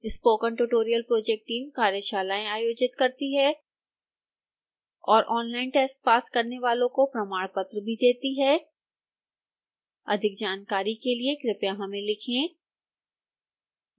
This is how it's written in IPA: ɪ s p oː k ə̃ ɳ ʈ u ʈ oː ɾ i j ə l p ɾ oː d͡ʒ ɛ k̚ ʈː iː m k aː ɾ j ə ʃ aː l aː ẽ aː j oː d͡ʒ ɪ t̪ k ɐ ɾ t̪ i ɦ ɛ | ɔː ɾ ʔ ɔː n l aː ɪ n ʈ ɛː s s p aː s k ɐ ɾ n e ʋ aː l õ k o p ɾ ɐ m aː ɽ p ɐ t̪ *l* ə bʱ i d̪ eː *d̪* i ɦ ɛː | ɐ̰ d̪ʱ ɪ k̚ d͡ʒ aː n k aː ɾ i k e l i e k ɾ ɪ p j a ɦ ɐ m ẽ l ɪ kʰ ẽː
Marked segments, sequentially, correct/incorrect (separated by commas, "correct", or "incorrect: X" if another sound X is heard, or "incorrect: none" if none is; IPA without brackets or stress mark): incorrect: ɾ, incorrect: t̪